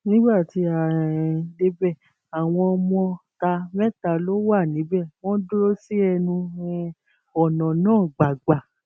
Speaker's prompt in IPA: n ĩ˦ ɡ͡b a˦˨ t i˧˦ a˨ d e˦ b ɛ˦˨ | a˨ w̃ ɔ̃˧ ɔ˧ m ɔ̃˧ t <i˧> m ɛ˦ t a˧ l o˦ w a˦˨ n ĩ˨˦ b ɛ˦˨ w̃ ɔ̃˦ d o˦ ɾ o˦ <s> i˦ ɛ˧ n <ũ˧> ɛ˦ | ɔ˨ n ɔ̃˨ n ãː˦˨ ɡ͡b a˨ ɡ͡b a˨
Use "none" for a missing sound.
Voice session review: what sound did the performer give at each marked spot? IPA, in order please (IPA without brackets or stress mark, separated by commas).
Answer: a˧, s, ũ˧